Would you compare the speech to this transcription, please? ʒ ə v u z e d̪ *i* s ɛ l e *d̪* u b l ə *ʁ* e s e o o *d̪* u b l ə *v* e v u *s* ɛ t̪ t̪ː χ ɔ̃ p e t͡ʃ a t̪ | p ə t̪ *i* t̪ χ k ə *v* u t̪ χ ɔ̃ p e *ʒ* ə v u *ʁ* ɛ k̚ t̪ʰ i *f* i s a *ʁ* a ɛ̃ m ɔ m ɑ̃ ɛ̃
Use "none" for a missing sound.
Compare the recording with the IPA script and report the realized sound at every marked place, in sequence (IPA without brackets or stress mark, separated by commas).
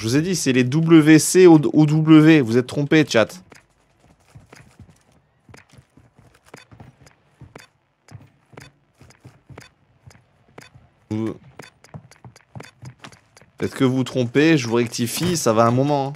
i, d̪, v, d̪, v, z, ɛ, v, ʒ, ʁ, f, v